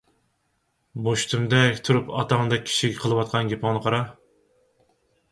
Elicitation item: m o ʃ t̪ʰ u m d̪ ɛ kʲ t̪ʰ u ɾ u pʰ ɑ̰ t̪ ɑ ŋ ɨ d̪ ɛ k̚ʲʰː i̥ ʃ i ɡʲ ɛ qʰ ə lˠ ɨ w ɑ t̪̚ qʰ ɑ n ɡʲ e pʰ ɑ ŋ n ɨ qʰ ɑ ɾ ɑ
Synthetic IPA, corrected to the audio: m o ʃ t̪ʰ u m d̪ ɛ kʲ t̪ʰ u ɾ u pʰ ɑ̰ t̪ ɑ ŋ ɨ d̪ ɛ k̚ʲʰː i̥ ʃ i ɡʲ ɛ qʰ ə lˠ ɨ w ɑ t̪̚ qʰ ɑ n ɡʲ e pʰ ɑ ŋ n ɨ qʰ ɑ ɾ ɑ